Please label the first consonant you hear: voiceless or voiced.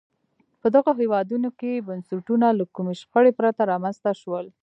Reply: voiceless